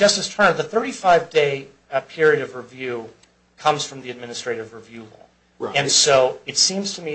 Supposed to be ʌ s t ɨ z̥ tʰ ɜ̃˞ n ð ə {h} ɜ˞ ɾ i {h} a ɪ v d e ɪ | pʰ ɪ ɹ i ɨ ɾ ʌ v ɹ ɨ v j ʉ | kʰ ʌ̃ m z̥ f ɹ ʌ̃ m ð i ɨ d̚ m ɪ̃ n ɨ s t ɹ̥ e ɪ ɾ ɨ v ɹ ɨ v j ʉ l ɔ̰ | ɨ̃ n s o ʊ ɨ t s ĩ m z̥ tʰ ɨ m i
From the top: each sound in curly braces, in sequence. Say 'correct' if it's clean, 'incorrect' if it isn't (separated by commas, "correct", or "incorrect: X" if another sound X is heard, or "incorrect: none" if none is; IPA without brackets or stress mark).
incorrect: θ, incorrect: f